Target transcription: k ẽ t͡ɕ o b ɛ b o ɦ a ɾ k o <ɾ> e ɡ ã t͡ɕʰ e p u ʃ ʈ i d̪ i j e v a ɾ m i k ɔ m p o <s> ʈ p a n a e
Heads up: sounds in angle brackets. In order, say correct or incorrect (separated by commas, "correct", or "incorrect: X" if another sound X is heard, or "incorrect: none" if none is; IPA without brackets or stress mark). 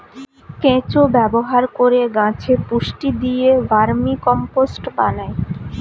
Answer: correct, correct